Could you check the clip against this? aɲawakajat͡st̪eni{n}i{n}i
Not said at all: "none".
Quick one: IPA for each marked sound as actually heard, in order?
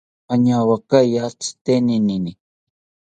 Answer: n, n

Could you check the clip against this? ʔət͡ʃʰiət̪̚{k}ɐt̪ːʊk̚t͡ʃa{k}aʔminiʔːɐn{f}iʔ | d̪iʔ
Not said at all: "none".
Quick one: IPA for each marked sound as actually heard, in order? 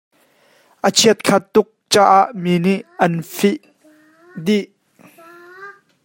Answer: kʰ, ʔ, f

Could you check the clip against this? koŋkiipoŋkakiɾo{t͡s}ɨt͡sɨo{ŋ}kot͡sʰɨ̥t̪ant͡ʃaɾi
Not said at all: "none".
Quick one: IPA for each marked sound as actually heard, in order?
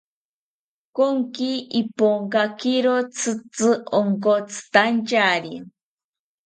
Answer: t͡sʰ, ŋ

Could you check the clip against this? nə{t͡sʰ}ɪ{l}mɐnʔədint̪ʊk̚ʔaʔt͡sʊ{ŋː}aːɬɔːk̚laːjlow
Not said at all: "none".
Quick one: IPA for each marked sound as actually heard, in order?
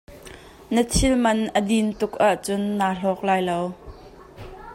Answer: t͡sʰ, l, nː

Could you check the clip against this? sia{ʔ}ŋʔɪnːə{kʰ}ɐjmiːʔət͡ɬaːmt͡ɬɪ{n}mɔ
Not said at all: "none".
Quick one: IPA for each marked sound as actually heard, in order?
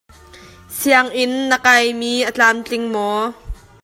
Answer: none, k, ŋ

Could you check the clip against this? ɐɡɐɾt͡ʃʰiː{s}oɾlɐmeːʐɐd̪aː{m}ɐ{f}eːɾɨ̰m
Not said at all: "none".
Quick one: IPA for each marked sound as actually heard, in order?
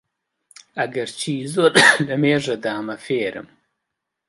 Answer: z, m, f

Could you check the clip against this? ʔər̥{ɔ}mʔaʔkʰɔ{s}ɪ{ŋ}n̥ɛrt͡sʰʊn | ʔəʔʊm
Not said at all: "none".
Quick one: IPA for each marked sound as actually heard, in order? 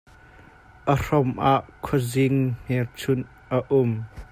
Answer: ɔ, z, ŋ

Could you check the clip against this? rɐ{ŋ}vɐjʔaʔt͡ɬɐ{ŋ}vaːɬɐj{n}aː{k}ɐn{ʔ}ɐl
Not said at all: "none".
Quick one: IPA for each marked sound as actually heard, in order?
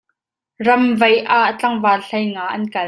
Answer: m, ŋ, ŋ, ʔ, k

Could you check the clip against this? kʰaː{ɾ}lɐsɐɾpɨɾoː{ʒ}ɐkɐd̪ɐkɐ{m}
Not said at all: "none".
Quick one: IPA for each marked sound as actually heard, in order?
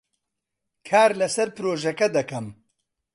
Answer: ɾ, ʒ, m

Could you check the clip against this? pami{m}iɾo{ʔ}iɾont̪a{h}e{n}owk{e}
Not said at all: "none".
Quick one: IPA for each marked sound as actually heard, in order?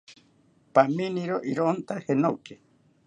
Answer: n, ʔ, h, n, e

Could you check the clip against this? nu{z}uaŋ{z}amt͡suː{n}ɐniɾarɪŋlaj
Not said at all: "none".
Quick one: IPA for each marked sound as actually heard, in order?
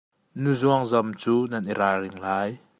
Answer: z, z, n

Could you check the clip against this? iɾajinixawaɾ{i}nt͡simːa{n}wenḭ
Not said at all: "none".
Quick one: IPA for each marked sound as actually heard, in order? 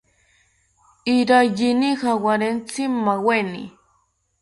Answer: e, none

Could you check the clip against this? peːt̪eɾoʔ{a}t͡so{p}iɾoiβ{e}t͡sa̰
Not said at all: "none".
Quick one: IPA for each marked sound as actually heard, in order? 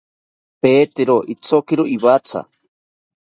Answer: i, k, a

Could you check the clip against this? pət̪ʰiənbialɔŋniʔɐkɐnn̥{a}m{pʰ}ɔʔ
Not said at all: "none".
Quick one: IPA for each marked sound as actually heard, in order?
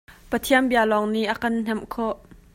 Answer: ɛ, kʰ

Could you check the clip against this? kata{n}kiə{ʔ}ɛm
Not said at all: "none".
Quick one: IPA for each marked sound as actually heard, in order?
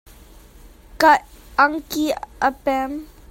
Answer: ŋ, p

